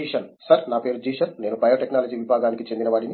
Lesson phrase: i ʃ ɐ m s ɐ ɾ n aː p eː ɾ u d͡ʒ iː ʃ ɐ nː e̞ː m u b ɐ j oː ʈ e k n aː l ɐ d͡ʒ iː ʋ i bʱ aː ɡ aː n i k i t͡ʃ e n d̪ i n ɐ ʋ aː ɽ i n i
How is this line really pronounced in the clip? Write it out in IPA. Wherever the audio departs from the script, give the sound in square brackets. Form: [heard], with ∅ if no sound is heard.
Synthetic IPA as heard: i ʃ ɐ [n] s ɐ ɾ n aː p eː ɾ u d͡ʒ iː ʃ ɐ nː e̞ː [n] u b ɐ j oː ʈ e k n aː l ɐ d͡ʒ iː ʋ i bʱ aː ɡ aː n i k i t͡ʃ e n d̪ i n ɐ ʋ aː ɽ i n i